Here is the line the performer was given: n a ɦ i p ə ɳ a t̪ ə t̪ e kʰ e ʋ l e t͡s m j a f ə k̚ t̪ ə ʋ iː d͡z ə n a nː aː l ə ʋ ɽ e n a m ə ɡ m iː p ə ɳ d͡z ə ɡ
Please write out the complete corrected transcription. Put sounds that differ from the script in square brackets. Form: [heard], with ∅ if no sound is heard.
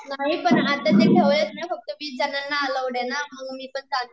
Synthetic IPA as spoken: n a ɦ i p ə ɳ a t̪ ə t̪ e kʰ e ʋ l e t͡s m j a f ə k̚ t̪ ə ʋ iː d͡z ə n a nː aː l ə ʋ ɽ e n a m ə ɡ m iː p ə ɳ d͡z [a] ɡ